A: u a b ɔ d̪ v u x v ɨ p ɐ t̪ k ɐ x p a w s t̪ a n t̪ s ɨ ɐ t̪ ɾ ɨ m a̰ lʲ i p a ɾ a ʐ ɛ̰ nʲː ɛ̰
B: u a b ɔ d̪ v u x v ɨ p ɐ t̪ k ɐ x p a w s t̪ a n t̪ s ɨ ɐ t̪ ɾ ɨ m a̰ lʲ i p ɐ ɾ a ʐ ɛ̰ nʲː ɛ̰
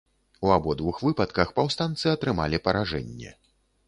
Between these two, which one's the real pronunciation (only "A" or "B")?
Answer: B